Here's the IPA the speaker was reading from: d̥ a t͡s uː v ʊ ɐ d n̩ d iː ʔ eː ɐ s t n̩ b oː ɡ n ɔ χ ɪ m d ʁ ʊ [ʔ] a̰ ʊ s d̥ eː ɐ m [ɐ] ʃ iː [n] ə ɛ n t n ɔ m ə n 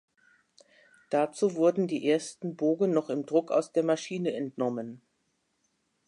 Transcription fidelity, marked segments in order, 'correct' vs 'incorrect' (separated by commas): incorrect, incorrect, correct